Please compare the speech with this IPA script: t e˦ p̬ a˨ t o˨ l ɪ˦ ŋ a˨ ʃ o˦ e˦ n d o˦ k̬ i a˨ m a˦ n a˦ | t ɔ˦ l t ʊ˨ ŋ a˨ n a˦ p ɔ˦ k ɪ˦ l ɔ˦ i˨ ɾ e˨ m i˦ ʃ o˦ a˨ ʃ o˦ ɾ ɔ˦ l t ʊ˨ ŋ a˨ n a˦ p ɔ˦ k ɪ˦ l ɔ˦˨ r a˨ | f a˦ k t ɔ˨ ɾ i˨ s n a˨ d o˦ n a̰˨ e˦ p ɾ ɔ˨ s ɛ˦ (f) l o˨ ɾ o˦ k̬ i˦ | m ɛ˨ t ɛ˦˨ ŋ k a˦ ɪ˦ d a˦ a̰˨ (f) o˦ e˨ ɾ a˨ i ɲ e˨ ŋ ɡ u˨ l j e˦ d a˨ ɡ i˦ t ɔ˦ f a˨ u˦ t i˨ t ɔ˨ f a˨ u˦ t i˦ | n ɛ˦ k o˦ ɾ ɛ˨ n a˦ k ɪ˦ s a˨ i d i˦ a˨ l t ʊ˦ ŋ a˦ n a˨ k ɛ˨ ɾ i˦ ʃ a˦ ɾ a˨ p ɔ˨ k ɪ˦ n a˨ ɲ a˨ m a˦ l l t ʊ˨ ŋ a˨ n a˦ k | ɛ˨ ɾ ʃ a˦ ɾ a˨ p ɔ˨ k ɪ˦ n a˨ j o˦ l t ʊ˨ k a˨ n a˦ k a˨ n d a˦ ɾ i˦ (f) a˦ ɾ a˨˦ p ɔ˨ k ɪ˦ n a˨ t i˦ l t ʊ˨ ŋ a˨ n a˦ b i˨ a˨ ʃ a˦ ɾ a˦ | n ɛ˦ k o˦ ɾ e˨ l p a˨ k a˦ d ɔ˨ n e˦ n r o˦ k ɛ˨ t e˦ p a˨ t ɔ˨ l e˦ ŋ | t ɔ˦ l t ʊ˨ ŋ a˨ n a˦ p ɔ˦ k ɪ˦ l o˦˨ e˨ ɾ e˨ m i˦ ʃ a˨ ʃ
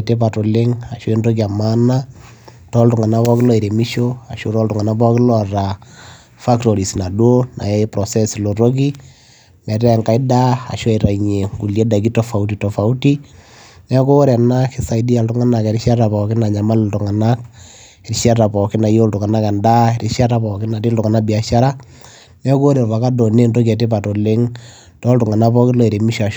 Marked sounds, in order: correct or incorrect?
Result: incorrect: s, incorrect: ʃ, incorrect: ʃ

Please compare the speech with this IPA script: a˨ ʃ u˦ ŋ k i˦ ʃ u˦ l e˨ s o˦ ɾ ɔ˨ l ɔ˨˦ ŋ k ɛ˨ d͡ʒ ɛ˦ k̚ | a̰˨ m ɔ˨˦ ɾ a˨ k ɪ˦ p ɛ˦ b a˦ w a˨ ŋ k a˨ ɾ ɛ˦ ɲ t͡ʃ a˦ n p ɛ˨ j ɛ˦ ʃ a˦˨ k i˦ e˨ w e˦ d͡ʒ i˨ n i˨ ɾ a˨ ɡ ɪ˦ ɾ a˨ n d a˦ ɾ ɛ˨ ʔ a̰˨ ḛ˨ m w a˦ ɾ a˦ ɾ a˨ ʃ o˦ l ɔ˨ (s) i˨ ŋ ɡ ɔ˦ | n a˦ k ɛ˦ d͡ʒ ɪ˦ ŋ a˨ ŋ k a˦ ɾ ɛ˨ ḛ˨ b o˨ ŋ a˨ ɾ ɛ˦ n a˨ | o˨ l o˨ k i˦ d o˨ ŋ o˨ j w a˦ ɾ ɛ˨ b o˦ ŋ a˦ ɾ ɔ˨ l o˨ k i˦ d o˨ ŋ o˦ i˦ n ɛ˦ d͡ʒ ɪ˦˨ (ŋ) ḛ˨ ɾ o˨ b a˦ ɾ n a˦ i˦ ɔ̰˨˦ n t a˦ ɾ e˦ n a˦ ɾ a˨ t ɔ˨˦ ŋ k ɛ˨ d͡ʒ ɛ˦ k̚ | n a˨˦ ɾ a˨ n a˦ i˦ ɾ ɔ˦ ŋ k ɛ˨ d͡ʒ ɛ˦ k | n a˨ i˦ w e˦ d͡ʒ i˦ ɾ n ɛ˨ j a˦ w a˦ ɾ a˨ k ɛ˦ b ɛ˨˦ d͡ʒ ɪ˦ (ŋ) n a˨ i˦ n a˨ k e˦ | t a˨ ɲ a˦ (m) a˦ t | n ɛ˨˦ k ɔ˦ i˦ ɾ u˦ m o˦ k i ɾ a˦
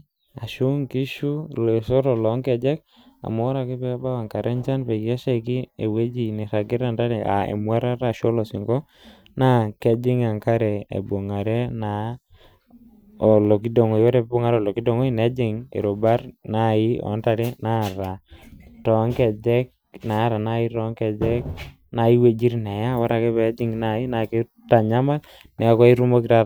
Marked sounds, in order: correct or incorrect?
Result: correct, correct, correct, correct

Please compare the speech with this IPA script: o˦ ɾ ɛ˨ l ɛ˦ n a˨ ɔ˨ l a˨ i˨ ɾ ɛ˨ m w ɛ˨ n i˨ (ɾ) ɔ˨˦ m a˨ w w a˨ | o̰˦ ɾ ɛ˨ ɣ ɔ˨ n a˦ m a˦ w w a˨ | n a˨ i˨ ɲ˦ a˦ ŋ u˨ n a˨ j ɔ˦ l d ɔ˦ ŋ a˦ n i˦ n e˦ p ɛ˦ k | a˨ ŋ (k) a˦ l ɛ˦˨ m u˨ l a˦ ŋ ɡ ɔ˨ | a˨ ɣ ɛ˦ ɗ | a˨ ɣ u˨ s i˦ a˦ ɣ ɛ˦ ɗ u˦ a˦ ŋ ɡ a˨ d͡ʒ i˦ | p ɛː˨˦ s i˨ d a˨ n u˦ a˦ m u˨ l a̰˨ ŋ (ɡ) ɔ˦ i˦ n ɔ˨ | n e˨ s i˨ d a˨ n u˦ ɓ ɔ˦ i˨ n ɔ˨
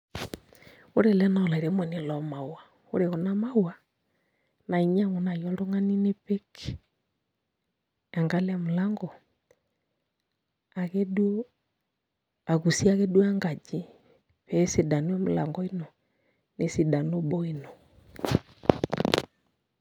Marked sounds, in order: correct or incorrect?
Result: incorrect: l, incorrect: ɡ, correct

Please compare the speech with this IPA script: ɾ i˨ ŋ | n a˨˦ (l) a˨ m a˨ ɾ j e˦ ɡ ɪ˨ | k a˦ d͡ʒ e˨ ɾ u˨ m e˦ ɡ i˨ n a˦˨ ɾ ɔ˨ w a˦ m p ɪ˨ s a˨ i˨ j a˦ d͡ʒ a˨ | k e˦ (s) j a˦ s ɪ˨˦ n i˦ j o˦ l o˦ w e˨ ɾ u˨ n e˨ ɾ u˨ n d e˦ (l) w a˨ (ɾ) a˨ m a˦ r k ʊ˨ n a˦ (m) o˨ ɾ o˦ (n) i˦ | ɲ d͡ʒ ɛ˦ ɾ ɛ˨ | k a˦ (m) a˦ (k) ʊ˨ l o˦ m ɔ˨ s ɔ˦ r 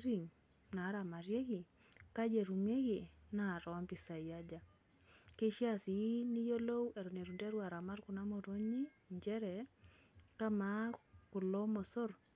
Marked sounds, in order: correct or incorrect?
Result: incorrect: ɾ, incorrect: ʃ, incorrect: ɾ, correct, correct, incorrect: ɲ, correct, correct

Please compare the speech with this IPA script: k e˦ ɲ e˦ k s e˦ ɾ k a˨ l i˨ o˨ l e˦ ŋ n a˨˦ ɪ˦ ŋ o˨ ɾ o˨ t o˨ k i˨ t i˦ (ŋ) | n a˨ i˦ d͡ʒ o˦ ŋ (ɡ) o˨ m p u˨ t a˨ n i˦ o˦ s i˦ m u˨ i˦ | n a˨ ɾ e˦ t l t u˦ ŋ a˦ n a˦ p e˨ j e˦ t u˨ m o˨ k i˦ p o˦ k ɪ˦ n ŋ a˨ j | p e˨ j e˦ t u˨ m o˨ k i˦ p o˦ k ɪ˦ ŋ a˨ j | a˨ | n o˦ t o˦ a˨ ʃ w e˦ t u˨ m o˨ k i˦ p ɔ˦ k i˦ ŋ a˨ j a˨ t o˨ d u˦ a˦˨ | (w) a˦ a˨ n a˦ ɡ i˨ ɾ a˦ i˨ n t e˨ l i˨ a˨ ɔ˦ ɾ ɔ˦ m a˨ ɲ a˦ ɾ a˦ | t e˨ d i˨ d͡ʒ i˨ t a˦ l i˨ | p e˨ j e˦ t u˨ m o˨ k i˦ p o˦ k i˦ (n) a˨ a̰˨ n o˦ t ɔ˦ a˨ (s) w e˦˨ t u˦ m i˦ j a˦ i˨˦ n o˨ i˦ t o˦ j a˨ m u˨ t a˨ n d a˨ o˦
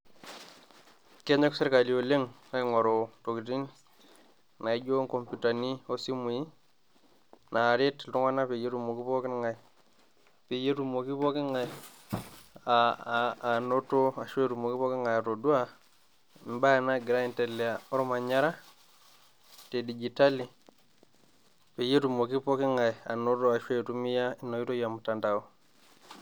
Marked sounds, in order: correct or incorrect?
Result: incorrect: n, incorrect: k, incorrect: b, incorrect: ŋ, incorrect: ʃ

